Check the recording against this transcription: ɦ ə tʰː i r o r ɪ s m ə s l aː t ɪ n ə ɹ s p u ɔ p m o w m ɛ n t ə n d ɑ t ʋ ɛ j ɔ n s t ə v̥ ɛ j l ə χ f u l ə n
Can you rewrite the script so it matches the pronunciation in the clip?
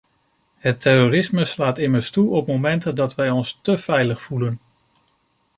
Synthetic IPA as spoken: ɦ ə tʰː ɛ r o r ɪ s m ə s l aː t ɪ m ə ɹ s t u ɔ p m o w m ɛ n t ə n d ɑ t ʋ ɛ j ɔ n s t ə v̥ ɛ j l ə χ f u l ə n